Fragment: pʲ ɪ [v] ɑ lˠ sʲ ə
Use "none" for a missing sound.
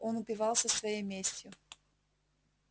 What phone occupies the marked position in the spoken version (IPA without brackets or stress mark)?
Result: v